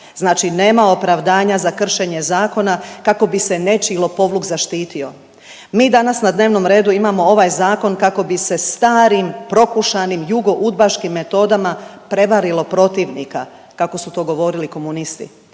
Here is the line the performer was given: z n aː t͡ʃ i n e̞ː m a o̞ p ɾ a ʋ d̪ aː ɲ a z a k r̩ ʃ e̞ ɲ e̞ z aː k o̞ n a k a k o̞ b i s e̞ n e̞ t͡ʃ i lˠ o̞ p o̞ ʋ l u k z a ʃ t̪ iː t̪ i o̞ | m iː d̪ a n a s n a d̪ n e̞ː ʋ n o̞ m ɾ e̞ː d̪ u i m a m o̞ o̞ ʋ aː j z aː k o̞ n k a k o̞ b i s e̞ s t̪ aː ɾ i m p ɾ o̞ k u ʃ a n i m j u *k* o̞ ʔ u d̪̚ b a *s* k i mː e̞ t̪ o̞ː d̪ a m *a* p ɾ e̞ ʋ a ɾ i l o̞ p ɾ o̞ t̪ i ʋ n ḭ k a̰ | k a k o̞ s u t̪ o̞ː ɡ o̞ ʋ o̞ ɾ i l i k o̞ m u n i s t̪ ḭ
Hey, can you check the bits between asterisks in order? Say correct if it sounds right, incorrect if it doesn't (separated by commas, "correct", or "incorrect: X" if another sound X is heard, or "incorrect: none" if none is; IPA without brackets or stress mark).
incorrect: ɡ, incorrect: ʃ, correct